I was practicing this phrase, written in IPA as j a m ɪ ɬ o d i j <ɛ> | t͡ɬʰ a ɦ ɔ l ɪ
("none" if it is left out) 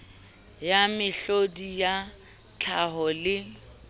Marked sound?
a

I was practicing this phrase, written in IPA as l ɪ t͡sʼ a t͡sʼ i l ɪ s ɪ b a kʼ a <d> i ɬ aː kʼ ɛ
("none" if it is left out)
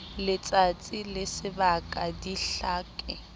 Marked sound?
d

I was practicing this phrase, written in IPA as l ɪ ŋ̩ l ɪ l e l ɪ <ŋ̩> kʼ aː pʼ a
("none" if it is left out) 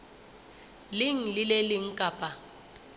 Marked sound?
ŋ̩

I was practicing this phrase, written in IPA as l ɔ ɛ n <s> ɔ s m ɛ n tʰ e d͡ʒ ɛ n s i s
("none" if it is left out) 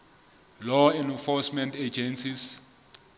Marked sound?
f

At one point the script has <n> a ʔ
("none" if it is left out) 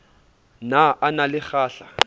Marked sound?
n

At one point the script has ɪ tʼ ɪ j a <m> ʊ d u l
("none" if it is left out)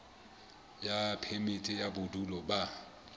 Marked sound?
b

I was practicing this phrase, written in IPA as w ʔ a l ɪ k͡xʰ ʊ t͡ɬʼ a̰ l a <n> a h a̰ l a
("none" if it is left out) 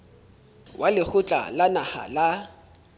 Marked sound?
n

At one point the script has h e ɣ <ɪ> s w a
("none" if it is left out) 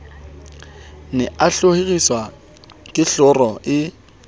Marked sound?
i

